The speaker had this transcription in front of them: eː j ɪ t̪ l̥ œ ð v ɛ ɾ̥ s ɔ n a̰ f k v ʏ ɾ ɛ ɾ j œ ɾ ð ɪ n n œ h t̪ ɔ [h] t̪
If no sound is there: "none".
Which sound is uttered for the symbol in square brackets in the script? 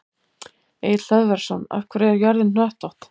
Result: h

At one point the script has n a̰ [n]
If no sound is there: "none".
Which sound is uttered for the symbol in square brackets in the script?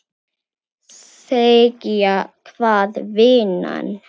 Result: n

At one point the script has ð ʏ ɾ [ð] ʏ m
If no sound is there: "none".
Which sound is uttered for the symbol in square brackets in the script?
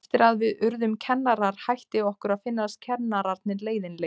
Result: ð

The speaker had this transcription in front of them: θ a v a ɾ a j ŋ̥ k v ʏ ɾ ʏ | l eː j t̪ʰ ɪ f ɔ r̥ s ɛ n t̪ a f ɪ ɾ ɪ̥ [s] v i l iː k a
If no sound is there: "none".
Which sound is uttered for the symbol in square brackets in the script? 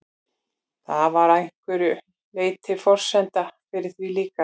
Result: θ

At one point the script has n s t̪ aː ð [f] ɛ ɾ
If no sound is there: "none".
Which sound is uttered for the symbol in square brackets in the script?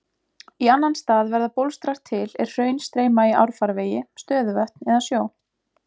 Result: v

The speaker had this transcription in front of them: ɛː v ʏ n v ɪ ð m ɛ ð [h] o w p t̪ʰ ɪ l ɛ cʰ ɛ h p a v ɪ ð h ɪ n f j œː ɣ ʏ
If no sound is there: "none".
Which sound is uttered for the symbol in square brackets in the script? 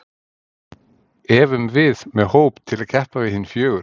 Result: h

